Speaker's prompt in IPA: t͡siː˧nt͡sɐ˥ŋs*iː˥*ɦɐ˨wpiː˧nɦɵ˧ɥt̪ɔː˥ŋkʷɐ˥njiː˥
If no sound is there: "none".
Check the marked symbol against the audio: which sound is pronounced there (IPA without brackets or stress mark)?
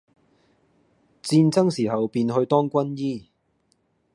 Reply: iː˨˩